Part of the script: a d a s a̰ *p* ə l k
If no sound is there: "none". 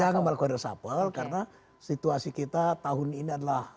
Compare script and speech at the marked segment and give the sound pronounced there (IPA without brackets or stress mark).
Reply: p